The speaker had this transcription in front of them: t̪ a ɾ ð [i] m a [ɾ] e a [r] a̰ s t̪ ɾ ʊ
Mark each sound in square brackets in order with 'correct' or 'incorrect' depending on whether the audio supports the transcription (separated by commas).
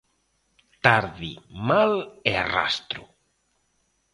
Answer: correct, incorrect, correct